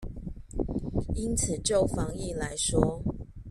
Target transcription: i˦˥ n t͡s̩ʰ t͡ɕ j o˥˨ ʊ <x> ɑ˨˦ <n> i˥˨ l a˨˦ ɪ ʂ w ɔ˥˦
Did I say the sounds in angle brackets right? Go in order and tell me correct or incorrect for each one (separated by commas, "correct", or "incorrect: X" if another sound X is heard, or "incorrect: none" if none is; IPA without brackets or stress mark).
incorrect: f, incorrect: ŋ